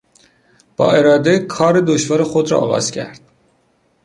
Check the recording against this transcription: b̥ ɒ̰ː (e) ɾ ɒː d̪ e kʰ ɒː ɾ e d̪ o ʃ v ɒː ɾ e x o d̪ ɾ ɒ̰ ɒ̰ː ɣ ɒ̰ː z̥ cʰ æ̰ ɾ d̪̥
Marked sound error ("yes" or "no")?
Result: no